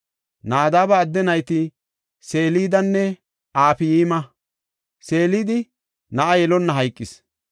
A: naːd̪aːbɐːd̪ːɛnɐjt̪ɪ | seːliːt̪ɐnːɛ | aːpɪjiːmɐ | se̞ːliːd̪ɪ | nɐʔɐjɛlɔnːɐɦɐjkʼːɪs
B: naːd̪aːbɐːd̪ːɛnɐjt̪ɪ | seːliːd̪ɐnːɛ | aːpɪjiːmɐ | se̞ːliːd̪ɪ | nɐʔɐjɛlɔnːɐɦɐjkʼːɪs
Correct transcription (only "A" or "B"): B